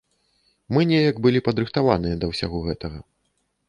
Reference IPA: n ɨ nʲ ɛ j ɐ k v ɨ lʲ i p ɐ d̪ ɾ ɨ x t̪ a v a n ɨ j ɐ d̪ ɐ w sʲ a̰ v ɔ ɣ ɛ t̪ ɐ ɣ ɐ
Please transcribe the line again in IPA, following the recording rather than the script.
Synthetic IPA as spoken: m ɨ nʲ ɛ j ɐ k b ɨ lʲ i p ɐ d̪ ɾ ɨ x t̪ a v a n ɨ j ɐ d̪ ɐ w sʲ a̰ ɣ ɔ ɣ ɛ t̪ ɐ ɣ ɐ